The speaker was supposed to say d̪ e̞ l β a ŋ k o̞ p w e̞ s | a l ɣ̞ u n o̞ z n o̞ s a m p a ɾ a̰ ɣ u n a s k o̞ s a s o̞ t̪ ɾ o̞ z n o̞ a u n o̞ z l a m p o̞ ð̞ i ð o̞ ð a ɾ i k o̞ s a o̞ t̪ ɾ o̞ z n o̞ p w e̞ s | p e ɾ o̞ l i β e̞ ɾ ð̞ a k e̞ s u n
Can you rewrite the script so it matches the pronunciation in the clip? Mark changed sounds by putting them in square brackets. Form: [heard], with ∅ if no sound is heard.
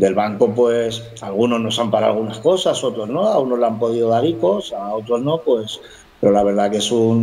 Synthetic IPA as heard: d̪ e̞ l β a ŋ k o̞ p w e̞ s | a l ɣ̞ u n o̞ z n o̞ s a m p a ɾ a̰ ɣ u n a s k o̞ s a s o̞ t̪ ɾ o̞ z n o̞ a u n o̞ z l a m p o̞ ð̞ i ð o̞ ð a ɾ i k o̞ s a o̞ t̪ ɾ o̞ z n o̞ p w e̞ s | p e ɾ o̞ l [a] β e̞ ɾ ð̞ a k e̞ s u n